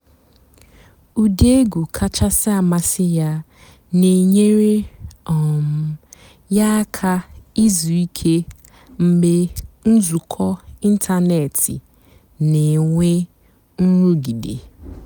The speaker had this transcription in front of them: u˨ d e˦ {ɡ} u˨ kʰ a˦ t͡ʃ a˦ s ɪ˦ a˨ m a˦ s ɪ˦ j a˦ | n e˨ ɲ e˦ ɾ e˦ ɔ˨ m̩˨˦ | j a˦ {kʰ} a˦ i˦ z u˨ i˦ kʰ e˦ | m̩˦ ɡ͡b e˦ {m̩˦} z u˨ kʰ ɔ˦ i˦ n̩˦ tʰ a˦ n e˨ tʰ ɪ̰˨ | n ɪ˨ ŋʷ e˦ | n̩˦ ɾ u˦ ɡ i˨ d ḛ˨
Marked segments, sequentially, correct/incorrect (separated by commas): correct, correct, incorrect